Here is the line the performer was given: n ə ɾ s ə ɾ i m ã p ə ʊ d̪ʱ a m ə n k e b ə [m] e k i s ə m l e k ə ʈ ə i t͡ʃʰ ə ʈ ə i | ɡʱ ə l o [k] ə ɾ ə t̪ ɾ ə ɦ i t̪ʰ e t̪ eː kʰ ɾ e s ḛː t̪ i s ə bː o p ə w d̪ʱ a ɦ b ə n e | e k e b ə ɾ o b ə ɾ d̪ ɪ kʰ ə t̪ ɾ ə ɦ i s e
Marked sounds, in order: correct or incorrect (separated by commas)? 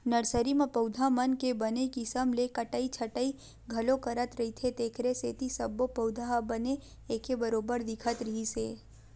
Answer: incorrect, correct